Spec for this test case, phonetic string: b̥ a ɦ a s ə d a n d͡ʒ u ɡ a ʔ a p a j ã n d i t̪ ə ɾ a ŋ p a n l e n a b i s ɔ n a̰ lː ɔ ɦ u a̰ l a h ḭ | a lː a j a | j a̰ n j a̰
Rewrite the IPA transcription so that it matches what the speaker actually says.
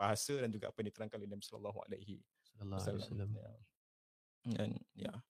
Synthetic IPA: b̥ a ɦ a s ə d a n d͡ʒ u ɡ a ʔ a p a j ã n d i t̪ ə ɾ a ŋ k a n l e n a b i s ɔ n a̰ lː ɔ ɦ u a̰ l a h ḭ | a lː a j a | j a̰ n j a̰